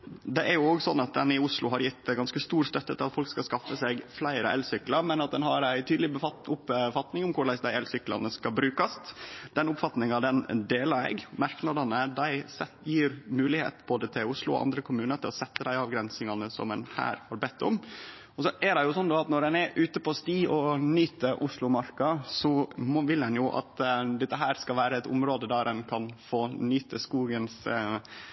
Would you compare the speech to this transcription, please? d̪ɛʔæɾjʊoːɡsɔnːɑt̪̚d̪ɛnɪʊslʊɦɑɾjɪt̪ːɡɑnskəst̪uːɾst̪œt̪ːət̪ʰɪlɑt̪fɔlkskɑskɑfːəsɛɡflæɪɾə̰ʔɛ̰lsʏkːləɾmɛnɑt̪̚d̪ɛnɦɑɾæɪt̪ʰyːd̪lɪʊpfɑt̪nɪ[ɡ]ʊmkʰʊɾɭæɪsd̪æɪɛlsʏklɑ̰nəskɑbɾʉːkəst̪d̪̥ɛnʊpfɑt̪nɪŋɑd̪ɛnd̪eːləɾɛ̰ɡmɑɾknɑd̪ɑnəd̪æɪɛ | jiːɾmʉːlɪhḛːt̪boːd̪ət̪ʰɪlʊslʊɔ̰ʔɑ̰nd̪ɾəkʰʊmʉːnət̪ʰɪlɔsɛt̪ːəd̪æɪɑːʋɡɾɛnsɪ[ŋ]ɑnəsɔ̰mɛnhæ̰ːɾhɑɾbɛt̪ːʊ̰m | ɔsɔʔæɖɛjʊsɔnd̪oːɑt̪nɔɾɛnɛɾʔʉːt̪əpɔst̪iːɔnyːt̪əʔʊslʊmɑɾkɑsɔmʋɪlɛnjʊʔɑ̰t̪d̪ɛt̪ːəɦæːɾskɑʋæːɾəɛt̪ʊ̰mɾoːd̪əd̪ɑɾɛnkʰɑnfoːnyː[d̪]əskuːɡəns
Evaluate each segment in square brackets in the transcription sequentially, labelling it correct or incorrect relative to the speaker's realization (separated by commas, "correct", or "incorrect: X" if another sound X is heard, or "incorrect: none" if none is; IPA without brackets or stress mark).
incorrect: ŋ, correct, incorrect: t̪